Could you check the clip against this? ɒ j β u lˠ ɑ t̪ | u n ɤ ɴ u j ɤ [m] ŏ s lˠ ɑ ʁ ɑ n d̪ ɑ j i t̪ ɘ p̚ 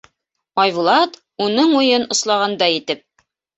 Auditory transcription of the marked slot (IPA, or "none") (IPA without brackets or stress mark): n